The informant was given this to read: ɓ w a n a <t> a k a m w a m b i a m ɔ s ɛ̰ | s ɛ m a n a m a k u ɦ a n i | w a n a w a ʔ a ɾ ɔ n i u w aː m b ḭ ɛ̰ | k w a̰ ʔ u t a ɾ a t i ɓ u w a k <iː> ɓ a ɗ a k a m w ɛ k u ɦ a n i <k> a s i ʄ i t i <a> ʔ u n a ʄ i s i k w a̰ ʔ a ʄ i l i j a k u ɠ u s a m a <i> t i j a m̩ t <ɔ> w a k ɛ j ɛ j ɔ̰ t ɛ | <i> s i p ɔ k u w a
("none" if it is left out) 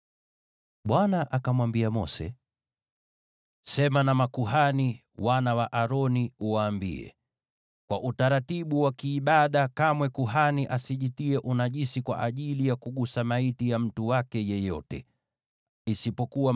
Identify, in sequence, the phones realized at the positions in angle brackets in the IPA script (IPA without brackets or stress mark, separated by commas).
ʔ, iː, ʔ, ɛ, i, u, i